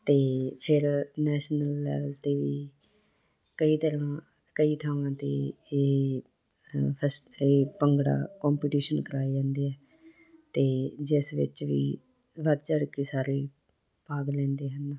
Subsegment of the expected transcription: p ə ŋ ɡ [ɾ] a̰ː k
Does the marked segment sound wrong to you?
yes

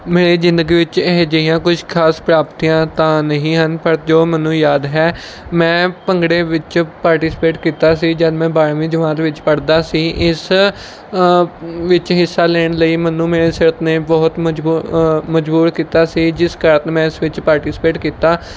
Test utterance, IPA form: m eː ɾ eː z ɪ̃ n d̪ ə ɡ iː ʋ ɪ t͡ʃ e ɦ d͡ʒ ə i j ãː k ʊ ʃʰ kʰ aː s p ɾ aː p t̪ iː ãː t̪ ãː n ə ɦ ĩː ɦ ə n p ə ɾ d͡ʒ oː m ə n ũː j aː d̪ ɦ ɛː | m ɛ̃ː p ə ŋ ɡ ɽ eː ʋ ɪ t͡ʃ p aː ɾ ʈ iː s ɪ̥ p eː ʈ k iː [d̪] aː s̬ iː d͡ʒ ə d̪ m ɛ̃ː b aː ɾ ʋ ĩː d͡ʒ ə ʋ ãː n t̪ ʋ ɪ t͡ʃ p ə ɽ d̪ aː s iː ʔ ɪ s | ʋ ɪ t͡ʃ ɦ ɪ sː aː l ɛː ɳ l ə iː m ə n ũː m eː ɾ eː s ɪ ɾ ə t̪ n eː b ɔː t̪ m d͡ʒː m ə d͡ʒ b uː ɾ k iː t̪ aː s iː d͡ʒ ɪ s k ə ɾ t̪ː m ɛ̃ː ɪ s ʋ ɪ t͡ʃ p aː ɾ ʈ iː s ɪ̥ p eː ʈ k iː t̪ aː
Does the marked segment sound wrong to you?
yes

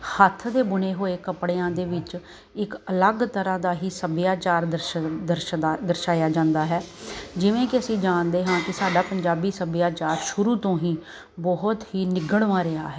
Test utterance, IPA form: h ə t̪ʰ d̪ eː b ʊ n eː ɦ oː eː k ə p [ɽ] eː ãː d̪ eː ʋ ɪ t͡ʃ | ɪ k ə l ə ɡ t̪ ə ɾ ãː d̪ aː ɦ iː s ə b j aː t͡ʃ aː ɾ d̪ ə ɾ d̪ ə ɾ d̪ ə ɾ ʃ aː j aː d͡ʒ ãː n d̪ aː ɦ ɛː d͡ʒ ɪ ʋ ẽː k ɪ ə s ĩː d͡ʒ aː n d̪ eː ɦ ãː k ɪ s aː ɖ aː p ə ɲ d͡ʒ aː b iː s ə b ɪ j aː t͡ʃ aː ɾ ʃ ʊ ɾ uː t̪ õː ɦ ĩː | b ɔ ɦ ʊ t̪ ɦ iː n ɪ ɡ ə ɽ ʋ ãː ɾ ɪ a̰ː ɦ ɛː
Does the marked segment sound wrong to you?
no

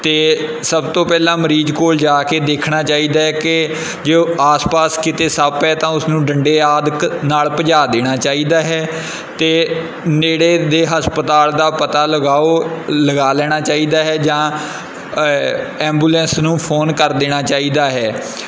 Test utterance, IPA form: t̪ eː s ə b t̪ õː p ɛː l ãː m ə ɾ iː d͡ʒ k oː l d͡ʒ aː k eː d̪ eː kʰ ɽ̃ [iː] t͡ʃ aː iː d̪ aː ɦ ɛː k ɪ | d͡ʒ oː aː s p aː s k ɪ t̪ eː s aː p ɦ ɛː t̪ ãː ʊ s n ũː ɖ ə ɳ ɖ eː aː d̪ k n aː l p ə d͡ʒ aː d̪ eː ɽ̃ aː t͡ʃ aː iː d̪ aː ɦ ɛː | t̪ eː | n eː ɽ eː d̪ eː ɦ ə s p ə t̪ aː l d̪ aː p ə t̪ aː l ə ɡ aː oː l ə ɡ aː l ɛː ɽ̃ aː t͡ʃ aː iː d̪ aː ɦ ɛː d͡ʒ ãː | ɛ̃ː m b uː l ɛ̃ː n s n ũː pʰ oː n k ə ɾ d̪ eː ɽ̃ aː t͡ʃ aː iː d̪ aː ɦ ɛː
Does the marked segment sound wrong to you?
yes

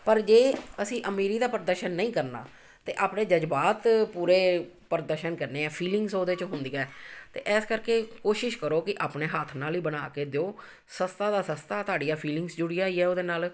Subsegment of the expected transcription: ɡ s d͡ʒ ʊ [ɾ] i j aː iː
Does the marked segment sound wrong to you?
yes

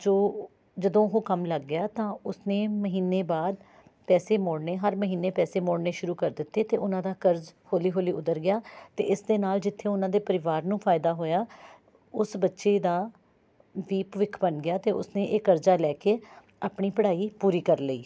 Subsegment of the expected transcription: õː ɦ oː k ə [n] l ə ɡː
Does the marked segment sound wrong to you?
yes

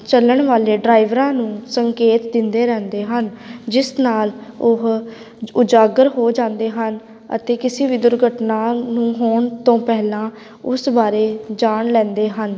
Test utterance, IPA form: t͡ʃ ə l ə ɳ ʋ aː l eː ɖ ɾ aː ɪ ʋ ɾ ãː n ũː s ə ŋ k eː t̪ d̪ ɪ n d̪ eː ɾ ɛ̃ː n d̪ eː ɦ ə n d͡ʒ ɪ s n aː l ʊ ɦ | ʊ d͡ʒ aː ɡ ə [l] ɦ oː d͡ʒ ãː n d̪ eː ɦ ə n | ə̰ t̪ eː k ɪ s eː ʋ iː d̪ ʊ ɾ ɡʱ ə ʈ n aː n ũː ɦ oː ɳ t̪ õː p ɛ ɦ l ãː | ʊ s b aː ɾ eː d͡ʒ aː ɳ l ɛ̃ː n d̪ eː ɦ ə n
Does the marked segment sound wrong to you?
yes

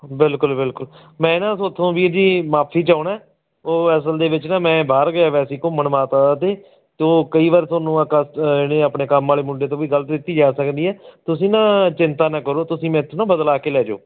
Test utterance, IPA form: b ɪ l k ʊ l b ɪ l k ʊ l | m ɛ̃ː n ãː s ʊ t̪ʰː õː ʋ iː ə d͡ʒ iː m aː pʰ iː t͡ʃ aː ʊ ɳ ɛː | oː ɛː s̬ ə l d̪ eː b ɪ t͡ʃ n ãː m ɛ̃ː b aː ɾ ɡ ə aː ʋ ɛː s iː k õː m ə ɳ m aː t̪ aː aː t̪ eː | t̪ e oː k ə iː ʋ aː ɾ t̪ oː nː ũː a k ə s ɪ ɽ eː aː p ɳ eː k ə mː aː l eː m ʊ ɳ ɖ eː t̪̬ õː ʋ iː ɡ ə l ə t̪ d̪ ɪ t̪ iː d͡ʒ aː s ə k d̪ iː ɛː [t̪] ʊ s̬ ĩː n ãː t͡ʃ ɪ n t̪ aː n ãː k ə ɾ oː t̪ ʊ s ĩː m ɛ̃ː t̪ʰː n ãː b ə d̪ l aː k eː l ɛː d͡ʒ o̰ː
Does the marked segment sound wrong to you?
no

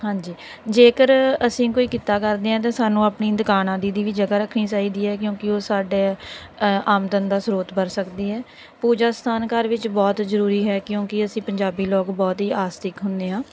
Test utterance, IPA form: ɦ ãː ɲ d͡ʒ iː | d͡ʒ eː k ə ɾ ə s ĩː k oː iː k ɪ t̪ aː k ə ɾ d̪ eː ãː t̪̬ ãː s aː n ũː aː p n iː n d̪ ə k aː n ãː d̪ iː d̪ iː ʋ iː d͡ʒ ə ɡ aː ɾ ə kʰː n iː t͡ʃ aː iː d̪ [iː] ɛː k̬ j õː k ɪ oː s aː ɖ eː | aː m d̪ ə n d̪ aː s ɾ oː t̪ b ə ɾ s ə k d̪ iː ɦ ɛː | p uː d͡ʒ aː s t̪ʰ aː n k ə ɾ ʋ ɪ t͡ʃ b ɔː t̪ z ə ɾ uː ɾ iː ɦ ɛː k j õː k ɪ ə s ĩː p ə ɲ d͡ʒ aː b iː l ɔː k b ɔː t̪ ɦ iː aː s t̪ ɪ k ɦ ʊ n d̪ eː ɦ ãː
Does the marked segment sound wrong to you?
no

